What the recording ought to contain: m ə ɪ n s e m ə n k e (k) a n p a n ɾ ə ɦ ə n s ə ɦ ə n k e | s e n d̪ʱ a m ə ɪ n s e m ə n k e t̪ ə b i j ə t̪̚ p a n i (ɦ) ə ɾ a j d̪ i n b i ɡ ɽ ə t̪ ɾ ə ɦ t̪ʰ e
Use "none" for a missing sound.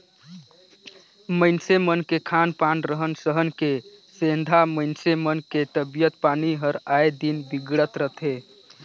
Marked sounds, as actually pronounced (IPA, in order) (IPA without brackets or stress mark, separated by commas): kʰ, ɦ